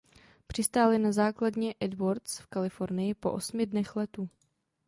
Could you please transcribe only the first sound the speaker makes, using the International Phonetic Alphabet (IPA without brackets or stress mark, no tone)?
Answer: p